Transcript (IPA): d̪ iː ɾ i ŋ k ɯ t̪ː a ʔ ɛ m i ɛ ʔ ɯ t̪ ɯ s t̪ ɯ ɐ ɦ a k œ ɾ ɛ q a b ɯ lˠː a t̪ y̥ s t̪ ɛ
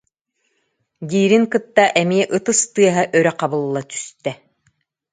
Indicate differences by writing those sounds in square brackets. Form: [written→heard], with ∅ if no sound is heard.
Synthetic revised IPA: d̪ iː ɾ i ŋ k ɯ t̪ː a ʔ ɛ m i ɛ ʔ ɯ t̪ ɯ s t̪ ɯ ɐ ɦ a [k→ʔ] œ ɾ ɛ q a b ɯ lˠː a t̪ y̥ s t̪ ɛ

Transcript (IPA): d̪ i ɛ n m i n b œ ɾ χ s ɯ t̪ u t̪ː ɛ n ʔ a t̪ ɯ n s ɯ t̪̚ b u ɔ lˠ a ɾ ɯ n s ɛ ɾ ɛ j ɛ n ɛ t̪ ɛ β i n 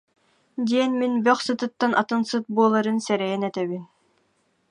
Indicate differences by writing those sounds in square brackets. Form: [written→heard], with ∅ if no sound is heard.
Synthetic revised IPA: d̪ i ɛ n m i n b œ [ɾ→∅] χ s ɯ t̪ [u→ɯ] t̪ː [ɛ→a] n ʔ a t̪ ɯ n s ɯ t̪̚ b u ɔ lˠ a ɾ ɯ n s ɛ ɾ ɛ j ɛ n ɛ t̪ ɛ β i n

